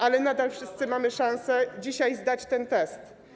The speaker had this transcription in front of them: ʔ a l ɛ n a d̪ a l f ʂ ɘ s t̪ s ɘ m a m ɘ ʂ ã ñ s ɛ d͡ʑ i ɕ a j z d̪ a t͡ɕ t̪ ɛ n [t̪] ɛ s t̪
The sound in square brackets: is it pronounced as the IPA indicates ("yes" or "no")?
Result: yes